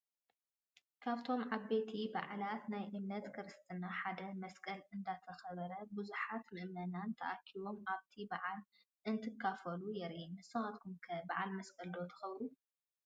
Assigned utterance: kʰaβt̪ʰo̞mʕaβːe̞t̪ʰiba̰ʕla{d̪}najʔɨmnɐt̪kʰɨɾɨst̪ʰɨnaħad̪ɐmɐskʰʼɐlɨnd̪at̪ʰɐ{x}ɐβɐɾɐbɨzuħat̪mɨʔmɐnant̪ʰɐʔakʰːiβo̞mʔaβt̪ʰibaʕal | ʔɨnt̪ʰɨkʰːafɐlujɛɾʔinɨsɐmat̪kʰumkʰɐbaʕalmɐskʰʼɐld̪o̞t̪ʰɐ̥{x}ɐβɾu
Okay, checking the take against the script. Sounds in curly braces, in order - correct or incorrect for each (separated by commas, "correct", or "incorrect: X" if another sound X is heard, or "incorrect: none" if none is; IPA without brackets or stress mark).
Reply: incorrect: t̪, correct, correct